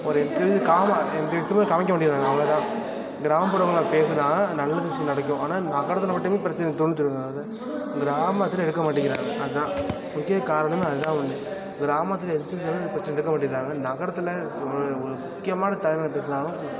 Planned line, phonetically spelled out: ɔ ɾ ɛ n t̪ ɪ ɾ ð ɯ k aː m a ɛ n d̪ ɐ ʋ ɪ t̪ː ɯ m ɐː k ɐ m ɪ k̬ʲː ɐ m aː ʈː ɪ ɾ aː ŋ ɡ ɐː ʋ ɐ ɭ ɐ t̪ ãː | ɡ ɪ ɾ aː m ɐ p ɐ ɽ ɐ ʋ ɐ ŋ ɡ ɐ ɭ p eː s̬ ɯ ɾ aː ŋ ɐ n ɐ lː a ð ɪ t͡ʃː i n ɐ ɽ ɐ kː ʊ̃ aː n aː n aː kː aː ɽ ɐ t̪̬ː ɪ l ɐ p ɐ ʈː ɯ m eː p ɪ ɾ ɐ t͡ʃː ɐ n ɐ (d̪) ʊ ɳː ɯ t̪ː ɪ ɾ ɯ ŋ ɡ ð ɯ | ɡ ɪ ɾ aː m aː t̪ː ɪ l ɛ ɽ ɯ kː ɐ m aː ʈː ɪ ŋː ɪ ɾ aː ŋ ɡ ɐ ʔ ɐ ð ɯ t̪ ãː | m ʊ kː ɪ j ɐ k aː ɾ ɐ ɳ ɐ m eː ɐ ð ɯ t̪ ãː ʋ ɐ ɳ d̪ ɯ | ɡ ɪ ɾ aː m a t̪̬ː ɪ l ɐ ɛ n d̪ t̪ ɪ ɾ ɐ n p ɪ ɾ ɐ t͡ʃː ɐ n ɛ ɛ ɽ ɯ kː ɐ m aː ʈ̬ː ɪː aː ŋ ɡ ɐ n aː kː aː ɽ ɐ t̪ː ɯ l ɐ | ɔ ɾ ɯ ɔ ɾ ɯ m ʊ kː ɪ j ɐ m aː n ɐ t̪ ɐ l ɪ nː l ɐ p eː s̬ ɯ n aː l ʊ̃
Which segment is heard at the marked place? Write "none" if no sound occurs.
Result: t̪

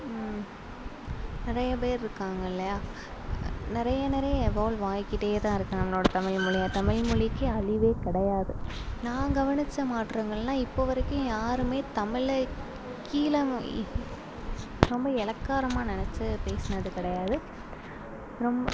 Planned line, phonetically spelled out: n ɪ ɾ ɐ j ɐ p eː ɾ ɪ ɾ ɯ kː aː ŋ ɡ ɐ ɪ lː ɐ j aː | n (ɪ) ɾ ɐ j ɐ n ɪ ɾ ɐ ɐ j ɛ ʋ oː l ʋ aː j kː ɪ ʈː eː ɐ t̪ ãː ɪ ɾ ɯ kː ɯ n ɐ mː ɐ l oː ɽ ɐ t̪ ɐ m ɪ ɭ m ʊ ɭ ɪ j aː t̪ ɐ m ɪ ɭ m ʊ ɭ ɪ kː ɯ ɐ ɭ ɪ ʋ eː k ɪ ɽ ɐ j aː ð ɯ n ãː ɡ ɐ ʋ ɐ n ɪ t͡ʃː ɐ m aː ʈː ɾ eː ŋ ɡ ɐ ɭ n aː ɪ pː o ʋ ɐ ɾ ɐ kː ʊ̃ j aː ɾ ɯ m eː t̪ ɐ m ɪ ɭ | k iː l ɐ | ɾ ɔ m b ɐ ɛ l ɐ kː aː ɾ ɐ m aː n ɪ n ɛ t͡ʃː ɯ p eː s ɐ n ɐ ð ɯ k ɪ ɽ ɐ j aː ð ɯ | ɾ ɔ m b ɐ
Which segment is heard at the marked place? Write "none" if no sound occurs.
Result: ɪ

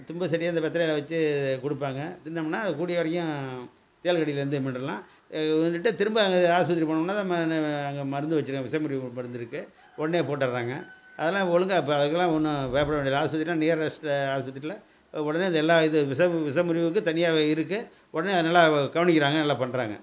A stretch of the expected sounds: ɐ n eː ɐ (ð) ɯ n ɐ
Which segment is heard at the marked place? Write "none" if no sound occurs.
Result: ð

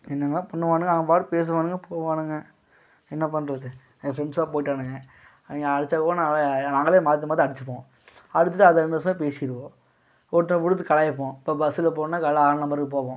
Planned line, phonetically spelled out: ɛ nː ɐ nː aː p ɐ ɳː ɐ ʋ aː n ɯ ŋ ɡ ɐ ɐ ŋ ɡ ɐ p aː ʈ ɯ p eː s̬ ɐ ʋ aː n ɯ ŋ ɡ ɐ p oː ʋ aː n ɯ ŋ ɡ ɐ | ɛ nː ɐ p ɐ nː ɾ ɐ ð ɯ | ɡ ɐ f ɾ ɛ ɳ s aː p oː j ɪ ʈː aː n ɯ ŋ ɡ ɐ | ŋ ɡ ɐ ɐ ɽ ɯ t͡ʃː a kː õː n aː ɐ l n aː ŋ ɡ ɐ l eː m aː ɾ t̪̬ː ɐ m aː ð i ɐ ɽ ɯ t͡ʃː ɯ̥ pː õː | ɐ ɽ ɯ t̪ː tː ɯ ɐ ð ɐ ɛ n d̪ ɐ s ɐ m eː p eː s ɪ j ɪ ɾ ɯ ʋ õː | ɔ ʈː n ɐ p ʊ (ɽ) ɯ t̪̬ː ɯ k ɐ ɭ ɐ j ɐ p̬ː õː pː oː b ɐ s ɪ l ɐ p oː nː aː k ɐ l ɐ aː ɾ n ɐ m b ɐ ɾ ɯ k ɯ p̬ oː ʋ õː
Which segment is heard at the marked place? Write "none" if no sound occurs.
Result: ɽ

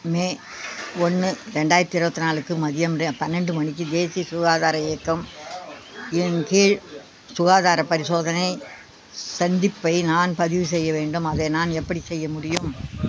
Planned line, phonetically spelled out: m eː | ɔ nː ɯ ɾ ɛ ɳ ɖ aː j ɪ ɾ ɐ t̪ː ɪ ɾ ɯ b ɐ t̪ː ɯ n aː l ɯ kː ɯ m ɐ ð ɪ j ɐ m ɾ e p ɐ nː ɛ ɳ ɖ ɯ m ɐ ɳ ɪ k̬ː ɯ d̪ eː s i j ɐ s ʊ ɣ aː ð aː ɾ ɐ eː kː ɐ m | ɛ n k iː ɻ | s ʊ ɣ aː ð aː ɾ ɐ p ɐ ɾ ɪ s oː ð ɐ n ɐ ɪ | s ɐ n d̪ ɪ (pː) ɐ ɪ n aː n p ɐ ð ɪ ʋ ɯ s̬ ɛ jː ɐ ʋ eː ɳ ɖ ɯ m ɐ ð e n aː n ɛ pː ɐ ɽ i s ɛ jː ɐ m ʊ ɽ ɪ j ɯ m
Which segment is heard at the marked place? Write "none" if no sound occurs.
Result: pː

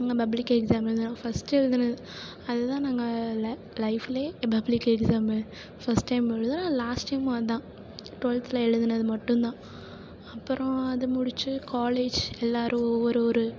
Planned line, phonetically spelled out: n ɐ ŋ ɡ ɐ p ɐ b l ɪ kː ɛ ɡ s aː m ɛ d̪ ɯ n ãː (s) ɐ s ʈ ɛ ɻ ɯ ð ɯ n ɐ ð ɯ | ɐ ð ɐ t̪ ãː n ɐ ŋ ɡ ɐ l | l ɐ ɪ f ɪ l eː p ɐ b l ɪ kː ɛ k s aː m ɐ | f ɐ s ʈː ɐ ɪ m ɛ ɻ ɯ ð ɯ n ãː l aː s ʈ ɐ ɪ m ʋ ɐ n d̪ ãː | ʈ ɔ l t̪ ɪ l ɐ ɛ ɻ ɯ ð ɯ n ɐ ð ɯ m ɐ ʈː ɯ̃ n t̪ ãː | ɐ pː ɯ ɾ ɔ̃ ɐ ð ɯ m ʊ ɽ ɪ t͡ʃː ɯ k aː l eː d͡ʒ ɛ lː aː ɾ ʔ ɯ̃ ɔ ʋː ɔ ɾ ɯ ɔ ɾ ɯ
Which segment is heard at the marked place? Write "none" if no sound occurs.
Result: f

